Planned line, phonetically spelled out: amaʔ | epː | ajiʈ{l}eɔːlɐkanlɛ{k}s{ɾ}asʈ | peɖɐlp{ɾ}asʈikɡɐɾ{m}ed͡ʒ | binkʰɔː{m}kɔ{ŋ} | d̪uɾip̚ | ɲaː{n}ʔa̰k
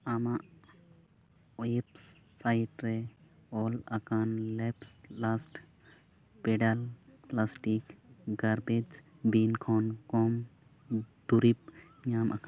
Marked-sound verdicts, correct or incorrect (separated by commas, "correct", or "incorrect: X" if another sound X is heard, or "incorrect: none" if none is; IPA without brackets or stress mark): incorrect: ɾ, incorrect: p, incorrect: l, incorrect: l, incorrect: b, incorrect: n, incorrect: m, incorrect: m